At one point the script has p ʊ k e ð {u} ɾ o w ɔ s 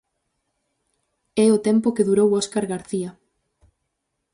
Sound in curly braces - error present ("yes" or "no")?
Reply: no